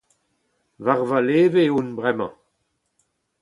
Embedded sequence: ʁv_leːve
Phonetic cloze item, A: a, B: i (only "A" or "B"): A